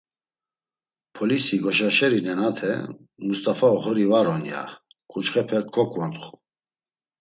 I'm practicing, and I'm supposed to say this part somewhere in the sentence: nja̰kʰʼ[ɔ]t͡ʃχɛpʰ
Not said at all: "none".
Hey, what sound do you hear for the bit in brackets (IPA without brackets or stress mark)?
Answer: u